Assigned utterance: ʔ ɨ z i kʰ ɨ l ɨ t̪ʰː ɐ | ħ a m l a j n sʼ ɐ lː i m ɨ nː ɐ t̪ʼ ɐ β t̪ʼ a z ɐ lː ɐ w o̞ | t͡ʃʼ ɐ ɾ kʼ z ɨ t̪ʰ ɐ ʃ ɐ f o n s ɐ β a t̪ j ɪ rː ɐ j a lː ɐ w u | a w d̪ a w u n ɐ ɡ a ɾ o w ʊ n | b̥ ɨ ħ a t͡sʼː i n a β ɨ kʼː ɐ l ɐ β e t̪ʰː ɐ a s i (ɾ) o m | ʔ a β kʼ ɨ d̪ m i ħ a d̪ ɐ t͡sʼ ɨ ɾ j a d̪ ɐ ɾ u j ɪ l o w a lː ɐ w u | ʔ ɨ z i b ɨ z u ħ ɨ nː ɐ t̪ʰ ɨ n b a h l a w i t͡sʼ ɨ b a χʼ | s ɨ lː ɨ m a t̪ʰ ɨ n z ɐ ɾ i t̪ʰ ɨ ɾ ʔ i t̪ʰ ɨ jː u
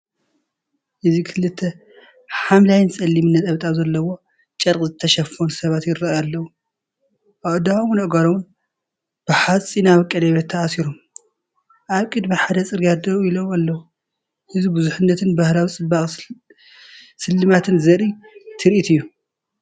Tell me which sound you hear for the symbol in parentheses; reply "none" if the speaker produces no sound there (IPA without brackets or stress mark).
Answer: ɾ